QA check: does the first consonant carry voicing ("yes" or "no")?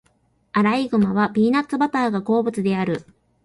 yes